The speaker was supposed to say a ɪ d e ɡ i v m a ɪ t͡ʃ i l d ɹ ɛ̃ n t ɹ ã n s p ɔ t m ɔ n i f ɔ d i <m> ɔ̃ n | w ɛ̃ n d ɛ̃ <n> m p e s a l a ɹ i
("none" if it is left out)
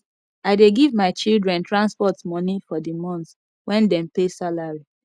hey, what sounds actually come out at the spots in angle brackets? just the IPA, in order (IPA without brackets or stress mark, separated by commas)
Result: m, none